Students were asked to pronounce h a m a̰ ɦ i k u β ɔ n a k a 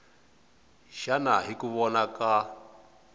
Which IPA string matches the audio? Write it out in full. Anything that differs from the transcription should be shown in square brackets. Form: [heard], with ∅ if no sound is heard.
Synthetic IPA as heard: [ʃ] a [n] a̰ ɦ i k u β ɔ n a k a